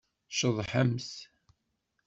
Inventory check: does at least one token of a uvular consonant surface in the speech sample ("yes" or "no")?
no